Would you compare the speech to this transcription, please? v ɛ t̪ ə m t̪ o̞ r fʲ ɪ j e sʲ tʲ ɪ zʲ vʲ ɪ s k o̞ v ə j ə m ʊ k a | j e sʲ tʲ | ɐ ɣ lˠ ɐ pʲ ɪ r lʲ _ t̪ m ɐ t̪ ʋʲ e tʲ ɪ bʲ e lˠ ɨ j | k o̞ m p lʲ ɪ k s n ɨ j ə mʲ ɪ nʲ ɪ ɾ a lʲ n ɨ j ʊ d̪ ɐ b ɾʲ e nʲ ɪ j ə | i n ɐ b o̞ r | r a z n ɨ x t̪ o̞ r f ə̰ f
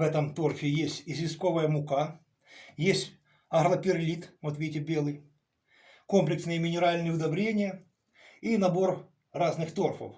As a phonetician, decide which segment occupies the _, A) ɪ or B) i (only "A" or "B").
B